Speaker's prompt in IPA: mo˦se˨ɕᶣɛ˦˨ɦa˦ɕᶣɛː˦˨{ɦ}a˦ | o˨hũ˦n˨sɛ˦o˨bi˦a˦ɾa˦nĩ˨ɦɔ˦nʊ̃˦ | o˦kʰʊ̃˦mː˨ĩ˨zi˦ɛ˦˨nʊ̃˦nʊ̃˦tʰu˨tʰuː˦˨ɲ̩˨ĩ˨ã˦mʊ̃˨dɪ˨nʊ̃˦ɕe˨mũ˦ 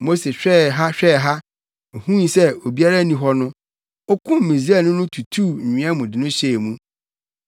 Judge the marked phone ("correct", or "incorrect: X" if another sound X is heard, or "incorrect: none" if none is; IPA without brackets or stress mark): correct